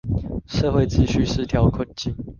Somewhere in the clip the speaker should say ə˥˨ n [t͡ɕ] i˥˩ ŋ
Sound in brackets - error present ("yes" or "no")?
no